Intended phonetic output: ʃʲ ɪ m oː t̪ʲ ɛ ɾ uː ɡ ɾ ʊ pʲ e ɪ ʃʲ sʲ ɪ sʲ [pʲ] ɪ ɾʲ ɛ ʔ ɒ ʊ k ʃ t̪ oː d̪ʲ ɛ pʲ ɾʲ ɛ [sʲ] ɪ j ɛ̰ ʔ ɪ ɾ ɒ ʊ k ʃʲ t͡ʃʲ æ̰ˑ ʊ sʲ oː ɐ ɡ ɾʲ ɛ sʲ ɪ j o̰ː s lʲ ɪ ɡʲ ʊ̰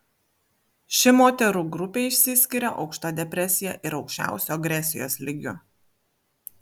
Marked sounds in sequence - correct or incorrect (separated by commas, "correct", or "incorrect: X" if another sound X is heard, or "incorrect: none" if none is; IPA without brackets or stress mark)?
incorrect: kʲ, correct